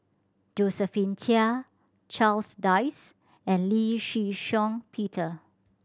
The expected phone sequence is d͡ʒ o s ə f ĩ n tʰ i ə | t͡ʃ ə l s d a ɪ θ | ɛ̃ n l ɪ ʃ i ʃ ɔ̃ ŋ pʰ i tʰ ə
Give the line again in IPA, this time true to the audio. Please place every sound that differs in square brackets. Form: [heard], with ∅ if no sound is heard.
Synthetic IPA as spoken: d͡ʒ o s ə f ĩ n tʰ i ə | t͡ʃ [a] l s d a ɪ [s] | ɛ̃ n l [i] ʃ i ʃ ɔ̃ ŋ pʰ i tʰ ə